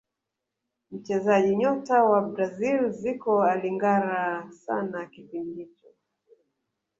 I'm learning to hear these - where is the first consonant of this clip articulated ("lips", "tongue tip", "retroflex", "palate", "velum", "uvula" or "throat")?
lips